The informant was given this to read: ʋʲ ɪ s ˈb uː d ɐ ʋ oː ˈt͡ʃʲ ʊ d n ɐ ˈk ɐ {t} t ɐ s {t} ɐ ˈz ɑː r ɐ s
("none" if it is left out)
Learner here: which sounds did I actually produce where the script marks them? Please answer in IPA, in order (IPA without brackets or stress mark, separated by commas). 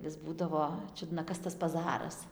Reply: s, p